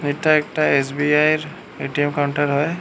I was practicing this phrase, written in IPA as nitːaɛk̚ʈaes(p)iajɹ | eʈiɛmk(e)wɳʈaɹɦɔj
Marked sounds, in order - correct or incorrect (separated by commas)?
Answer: incorrect, incorrect